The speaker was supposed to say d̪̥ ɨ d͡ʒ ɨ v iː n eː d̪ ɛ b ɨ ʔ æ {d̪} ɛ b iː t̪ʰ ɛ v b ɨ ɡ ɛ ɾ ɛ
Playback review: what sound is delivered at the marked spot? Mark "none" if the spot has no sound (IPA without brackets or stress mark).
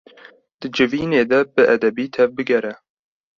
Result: d̪